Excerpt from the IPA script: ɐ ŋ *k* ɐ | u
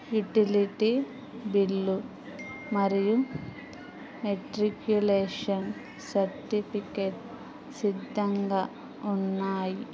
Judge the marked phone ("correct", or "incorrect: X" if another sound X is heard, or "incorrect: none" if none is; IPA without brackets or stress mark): incorrect: ɡ